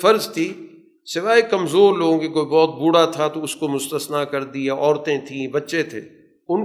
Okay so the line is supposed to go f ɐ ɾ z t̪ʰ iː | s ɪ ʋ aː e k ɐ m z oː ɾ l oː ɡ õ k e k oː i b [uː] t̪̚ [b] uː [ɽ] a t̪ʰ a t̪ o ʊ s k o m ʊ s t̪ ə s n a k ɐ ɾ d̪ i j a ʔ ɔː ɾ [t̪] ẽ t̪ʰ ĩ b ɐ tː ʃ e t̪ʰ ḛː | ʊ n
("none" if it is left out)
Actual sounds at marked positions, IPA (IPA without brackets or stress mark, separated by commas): ɔː, b, ɽ, t̪